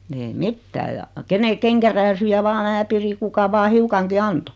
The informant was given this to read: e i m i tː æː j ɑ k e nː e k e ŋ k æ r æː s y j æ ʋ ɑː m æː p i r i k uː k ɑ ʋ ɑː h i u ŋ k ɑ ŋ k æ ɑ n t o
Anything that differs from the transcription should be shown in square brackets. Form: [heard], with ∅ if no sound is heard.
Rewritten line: e i m i tː æː j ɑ k e [n] e k e ŋ k æ r æː s y j æ ʋ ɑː m æː p i r i k [u] k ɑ ʋ ɑː h i u [∅] k ɑ ŋ k [i] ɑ n t o